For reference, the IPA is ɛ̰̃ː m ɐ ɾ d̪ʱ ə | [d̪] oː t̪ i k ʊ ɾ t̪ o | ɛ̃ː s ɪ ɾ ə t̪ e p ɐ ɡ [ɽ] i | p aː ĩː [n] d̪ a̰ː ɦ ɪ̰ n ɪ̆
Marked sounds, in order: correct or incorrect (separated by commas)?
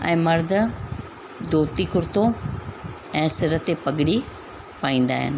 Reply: correct, correct, correct